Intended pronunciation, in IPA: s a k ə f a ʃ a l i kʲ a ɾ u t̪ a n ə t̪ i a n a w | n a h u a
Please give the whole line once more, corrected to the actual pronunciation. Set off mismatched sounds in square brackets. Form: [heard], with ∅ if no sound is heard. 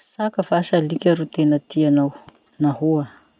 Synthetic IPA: s a k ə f a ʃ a l i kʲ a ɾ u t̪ [e] n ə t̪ i a n a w | n a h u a